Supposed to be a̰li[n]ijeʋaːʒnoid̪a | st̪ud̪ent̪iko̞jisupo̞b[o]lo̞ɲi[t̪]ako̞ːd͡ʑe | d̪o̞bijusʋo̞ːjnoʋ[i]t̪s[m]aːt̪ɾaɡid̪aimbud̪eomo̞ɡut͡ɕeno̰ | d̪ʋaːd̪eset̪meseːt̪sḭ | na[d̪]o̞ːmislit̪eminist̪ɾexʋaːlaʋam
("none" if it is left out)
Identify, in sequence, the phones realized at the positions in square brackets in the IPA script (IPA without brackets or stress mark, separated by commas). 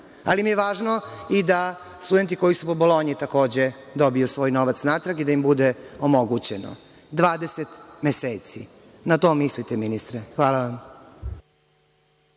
m, o, t̪, a, n, t̪